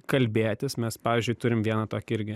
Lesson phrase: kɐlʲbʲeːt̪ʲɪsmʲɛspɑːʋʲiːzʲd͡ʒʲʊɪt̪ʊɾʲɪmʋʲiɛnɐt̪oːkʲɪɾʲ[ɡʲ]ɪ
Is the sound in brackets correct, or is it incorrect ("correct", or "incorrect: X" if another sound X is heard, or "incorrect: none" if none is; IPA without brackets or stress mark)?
correct